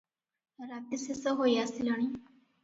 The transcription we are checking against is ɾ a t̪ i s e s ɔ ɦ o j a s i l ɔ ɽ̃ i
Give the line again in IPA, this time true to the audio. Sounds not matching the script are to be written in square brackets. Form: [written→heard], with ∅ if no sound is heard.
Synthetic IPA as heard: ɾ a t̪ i s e s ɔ ɦ o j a s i l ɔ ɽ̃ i